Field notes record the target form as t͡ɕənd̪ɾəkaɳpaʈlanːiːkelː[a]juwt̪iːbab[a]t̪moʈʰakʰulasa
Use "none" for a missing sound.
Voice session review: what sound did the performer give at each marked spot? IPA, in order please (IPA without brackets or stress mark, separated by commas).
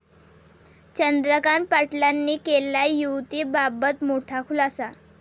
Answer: a, ə